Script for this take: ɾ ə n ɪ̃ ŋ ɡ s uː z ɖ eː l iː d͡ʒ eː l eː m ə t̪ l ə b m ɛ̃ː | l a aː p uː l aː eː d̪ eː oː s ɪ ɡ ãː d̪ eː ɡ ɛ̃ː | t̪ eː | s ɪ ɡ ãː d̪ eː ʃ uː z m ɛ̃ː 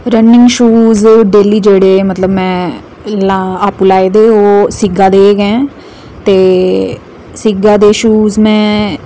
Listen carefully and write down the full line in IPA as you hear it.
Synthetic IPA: ɾ ə n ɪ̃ ŋ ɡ ʃ uː z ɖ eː l iː d͡ʒ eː ɽ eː m ə t̪ l ə b m ɛ̃ː | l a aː p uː l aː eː d̪ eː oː s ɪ ɡ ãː d̪ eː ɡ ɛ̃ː | t̪ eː | s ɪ ɡ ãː d̪ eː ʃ uː z m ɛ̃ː